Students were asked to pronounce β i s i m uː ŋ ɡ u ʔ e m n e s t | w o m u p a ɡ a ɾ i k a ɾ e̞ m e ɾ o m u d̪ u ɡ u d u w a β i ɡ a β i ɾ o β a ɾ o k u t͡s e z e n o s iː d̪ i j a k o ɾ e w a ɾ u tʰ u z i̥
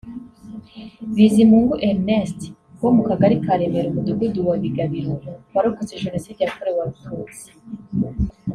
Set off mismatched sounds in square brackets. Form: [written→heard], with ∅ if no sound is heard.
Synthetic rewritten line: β i [s→z] i m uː ŋ ɡ u ʔ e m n e s t | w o m u [p→k] a ɡ a ɾ i k a ɾ e̞ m e ɾ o m u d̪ u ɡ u d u w a β i ɡ a β i ɾ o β a ɾ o k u t͡s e [z→ʒ] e n o s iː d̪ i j a k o ɾ e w a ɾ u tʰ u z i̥